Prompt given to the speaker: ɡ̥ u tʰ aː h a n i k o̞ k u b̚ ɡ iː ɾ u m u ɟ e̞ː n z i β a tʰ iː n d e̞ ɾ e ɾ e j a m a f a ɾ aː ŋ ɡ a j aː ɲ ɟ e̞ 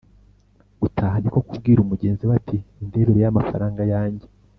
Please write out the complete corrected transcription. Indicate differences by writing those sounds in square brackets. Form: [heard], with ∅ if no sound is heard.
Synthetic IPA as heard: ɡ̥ u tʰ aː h a n i k o̞ k u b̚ ɡ iː ɾ u m u ɟ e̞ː n z i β a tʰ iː n d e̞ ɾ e ɾ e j a m a f a ɾ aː ŋ ɡ a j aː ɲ ɟ e̞